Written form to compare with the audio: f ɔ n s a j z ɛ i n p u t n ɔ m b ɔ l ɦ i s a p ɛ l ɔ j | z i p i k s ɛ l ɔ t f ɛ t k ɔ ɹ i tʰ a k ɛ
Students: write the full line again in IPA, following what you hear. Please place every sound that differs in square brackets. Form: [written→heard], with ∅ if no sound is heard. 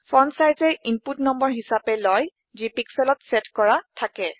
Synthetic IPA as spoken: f ɔ n s a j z ɛ i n p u t n ɔ m b ɔ [l→ɹ] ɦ i s a p ɛ l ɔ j | z i p i k s ɛ l ɔ t [f→s] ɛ t k ɔ ɹ [i→a] tʰ a k ɛ